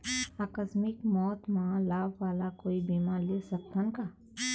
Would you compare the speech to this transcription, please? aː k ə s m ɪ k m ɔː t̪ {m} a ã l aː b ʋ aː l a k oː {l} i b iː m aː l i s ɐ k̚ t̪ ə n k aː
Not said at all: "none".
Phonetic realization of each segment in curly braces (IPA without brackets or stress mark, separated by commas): m, none